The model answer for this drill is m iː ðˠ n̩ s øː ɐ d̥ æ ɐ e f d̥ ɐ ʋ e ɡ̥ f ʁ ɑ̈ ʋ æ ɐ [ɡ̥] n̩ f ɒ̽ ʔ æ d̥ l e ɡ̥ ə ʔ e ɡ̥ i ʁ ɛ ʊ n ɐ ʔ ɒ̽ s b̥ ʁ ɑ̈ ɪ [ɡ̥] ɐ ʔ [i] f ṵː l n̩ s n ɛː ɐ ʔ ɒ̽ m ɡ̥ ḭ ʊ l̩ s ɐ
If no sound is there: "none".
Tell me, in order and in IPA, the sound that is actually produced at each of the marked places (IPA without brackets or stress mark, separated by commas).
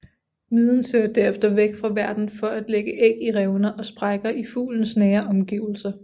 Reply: d̥, ɡ̥, i